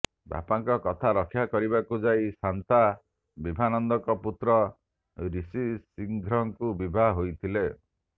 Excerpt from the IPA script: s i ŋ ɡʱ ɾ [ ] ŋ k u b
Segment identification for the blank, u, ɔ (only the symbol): ɔ